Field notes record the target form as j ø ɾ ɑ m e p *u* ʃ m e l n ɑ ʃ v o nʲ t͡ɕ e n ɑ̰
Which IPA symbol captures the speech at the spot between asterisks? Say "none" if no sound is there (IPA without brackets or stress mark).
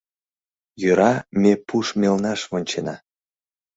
u